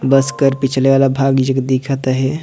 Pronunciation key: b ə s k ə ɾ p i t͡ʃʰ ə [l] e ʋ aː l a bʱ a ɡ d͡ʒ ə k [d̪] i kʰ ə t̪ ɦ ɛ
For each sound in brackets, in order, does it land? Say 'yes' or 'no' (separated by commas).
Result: yes, yes